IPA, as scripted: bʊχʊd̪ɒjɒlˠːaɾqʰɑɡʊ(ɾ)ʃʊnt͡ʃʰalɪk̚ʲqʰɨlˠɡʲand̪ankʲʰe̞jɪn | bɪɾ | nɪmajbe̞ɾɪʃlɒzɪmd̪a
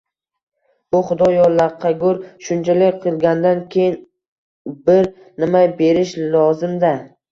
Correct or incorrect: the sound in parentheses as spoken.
correct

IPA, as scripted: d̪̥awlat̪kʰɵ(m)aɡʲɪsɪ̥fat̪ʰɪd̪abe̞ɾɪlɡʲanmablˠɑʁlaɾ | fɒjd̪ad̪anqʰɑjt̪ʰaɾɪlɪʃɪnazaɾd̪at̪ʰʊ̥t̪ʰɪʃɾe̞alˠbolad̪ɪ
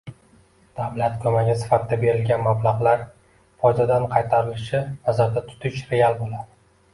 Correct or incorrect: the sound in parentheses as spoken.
correct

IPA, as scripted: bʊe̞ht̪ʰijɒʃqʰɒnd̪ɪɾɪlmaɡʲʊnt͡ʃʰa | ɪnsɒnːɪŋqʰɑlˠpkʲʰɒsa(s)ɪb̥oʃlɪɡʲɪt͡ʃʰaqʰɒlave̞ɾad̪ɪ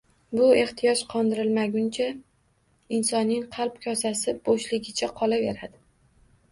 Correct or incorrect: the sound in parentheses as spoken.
correct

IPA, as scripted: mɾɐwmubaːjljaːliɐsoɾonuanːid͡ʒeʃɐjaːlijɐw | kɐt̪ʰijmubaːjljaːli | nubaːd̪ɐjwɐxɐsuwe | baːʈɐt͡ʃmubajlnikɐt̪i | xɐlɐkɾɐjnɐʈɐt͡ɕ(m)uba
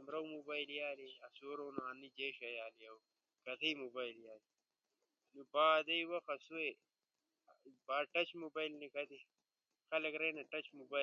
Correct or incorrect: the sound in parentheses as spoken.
correct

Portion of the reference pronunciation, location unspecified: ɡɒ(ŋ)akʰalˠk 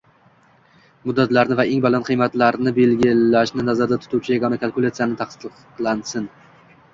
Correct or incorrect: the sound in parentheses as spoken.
incorrect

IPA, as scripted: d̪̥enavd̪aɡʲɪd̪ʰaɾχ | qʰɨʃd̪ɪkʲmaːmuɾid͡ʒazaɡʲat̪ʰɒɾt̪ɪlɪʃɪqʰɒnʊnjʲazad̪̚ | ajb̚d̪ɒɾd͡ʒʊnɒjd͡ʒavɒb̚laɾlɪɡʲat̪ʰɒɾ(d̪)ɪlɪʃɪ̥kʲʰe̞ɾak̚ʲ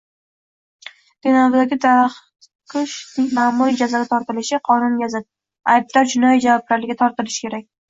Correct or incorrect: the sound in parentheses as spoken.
incorrect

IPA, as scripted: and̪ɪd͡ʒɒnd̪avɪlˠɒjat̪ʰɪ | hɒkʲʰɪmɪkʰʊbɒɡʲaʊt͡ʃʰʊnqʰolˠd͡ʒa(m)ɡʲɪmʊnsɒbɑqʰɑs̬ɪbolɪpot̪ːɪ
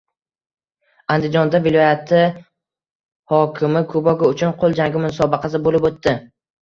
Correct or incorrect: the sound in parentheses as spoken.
incorrect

